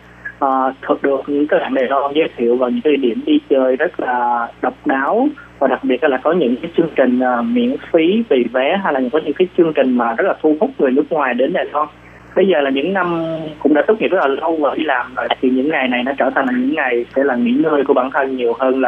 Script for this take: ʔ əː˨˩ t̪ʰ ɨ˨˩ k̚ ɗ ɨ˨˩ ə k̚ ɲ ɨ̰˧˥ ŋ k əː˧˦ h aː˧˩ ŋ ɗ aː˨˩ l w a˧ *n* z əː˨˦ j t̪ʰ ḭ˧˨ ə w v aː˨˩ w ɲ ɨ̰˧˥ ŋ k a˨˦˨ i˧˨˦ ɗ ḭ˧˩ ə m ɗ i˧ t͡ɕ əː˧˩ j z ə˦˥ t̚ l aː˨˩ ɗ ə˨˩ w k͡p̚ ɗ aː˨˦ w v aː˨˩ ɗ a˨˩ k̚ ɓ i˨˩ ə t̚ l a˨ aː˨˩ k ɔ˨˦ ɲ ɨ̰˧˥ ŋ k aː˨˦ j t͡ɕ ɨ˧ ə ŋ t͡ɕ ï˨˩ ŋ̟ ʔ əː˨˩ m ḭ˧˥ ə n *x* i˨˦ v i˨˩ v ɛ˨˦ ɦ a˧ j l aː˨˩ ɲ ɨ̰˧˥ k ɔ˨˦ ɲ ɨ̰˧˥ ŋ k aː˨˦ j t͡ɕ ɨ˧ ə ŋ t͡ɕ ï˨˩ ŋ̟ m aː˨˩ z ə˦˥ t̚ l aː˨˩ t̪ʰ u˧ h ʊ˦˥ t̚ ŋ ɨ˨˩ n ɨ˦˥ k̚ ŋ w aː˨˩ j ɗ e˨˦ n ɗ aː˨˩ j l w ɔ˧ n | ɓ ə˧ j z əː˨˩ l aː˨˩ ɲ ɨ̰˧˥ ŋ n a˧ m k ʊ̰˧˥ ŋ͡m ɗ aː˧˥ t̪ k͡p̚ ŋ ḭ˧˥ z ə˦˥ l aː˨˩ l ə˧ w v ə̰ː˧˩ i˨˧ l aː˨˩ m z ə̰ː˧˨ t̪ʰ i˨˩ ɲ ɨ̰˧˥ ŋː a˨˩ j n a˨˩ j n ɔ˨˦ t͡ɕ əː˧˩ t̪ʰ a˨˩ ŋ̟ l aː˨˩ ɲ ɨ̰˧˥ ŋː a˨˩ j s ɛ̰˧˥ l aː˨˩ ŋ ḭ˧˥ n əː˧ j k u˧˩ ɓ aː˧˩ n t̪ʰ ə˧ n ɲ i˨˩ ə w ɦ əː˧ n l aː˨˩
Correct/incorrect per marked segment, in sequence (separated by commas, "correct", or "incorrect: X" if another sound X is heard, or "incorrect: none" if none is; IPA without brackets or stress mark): correct, incorrect: f